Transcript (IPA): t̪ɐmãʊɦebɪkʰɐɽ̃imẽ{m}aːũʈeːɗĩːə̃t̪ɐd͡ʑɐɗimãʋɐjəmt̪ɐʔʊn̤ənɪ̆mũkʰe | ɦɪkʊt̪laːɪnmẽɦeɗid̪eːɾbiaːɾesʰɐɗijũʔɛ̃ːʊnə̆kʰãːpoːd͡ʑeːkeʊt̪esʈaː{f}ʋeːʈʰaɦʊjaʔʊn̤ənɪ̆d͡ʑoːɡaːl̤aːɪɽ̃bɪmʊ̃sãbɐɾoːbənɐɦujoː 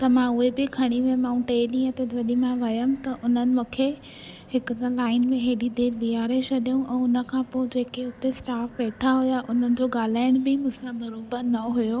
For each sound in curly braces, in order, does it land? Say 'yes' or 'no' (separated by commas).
yes, yes